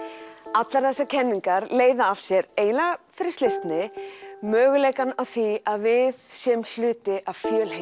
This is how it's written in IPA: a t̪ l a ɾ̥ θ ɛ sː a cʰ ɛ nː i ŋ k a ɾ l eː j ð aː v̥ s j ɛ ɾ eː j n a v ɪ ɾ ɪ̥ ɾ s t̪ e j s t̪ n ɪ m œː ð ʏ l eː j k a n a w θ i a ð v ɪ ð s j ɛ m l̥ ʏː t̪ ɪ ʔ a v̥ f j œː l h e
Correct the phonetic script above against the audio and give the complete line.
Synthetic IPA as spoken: a t̪ l a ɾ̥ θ ɛ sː a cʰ ɛ nː i ŋ k a ɾ l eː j ð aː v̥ s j ɛ ɾ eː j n a f ɪ ɾ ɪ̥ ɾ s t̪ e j s t̪ n ɪ m œː ɣ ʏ l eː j k a n a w θ i a ð v ɪ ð s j ɛ m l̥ ʏː t̪ ɪ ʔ a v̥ f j œː l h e